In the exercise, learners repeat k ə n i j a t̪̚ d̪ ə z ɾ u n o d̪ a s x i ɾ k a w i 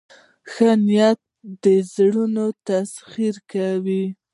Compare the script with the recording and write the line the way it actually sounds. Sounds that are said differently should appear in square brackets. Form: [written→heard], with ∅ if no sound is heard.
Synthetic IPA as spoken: [k→x] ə n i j a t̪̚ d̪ ə z [ɾ→ɽ] u n o [d̪→t̪] a s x i ɾ k a w i